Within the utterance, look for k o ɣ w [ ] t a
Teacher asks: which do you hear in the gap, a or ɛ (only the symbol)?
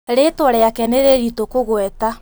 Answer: ɛ